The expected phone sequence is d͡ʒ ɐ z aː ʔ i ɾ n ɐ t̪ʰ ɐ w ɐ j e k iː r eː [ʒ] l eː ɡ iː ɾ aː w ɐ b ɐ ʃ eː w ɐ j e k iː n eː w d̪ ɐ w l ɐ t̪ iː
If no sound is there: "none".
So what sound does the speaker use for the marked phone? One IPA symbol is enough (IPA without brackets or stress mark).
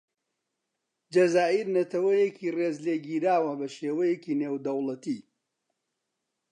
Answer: z